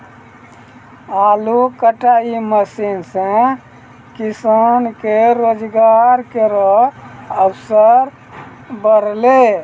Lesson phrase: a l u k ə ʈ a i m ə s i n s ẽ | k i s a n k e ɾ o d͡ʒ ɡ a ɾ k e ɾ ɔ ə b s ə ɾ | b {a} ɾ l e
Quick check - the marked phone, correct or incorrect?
incorrect